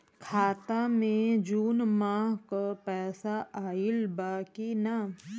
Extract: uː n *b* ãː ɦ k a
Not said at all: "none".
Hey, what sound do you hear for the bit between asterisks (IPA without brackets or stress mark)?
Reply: m